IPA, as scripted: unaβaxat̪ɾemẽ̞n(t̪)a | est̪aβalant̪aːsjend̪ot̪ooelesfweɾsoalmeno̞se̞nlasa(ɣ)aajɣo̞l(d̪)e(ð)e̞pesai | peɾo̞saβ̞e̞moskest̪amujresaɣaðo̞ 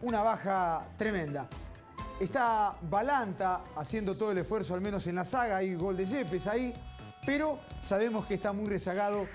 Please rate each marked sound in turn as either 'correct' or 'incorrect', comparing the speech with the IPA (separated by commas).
incorrect, correct, correct, incorrect